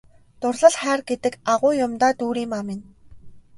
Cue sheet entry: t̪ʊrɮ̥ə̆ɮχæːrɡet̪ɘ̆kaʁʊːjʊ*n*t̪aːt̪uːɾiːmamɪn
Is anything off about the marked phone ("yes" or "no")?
yes